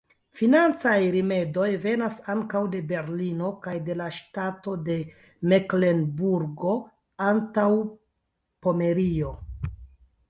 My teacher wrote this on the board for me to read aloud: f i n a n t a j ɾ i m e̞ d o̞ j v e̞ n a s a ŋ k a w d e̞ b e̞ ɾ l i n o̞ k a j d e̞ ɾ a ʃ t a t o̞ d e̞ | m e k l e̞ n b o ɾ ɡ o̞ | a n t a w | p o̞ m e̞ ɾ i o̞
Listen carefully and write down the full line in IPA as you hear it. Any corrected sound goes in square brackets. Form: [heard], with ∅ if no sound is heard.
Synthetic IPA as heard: f i n a n [t͡s] a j ɾ i m e̞ d o̞ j v e̞ n a s a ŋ k a w d e̞ b e̞ ɾ l i n o̞ k a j d e̞ [l] a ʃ t a t o̞ d e̞ | m e k l e̞ n b [u] ɾ ɡ o̞ | a n t a w | p o̞ m e̞ ɾ i o̞

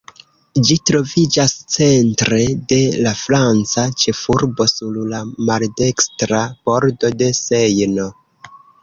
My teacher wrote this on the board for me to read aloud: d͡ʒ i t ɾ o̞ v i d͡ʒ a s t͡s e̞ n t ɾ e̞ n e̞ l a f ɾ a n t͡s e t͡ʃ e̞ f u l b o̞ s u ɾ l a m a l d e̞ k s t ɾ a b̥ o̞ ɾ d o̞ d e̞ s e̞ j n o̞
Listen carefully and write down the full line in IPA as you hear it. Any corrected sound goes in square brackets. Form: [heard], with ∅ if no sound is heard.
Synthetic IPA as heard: d͡ʒ i t ɾ o̞ v i d͡ʒ a s t͡s e̞ n t ɾ e̞ [d] e̞ l a f ɾ a n t͡s [a] t͡ʃ e̞ f u [ɾ] b o̞ s u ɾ l a m a l d e̞ k s t ɾ a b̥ o̞ ɾ d o̞ d e̞ s e̞ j n o̞

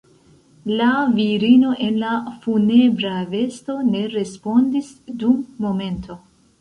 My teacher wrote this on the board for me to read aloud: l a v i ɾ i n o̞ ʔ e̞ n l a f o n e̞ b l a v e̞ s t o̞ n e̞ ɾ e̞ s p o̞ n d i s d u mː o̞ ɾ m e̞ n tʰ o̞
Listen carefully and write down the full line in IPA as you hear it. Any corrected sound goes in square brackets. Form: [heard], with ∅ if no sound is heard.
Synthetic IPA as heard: l a v i ɾ i n o̞ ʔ e̞ n l a f [u] n e̞ b [ɾ] a v e̞ s t o̞ n e̞ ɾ e̞ s p o̞ n d i s d u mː o̞ [∅] m e̞ n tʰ o̞

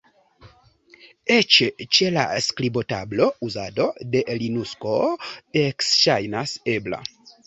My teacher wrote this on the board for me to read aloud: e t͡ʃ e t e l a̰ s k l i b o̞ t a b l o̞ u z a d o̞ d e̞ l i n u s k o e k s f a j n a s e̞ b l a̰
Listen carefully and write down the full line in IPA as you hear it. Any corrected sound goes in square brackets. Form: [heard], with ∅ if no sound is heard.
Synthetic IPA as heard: e t͡ʃ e [t͡ʃ] e l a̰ s k l i b o̞ t a b l o̞ u z a d o̞ d e̞ l i n u s k o e k s [ʃ] a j n a s e̞ b l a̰

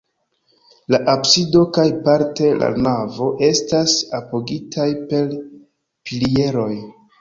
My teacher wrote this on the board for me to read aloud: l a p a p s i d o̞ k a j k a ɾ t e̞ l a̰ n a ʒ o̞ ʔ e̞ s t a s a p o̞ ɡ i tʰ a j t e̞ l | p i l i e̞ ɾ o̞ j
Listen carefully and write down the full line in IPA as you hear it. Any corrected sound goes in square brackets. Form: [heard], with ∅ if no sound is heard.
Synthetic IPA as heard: l a [ʔ] a p s i d o̞ k a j [p] a ɾ t e̞ l a̰ n a [v] o̞ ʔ e̞ s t a s a p o̞ ɡ i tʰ a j [p] e̞ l | p i l i e̞ ɾ o̞ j

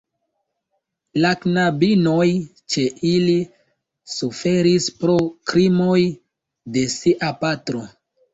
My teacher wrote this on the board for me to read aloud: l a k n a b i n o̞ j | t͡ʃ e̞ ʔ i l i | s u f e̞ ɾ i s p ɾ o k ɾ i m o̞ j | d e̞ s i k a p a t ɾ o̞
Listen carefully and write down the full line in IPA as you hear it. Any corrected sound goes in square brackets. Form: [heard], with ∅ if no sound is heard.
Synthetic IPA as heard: l a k n a b i n o̞ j | t͡ʃ e̞ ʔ i l i | s u f e̞ ɾ i s p ɾ o k ɾ i m o̞ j | d e̞ s i [ʔ] a p a t ɾ o̞

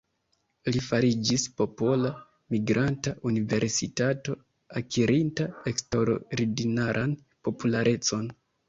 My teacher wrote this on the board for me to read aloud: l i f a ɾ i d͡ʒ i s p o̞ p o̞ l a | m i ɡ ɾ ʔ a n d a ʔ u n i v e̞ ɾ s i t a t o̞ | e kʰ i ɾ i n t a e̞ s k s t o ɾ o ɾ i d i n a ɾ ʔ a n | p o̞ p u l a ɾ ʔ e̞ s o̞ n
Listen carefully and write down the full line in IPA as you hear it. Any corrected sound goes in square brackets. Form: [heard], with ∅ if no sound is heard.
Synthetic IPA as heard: l i f a ɾ i d͡ʒ i s p o̞ p o̞ l a | m i ɡ ɾ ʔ a n [t] a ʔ u n i v e̞ ɾ s i t a t o̞ | [a] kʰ i ɾ i n t a e̞ [∅] k s t o ɾ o ɾ i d i n a ɾ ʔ a n | p o̞ p u l a ɾ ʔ e̞ [t͡s] o̞ n

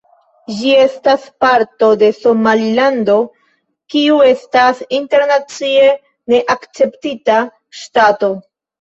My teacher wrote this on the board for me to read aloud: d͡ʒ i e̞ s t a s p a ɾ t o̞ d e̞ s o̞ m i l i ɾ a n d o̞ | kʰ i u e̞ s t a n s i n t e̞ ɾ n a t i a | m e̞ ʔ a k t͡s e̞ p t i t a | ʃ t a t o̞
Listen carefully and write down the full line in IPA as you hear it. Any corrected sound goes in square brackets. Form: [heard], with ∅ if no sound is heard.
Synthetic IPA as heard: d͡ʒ i e̞ s t a s p a ɾ t o̞ d e̞ s o̞ m [a] l i [l] a n d o̞ | [k] i u e̞ s t a [∅] s i n t e̞ ɾ n a [t͡s] i [e] | [n] e̞ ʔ a k t͡s e̞ p t i t a | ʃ t a t o̞

